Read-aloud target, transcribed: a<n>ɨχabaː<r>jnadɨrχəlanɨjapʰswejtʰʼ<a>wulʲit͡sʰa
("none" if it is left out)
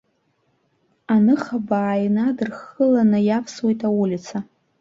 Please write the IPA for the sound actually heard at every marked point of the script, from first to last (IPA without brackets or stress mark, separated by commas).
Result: n, none, a